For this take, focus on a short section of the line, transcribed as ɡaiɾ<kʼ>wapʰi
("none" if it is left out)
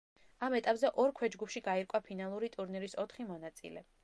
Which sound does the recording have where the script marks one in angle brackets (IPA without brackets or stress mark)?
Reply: kʼ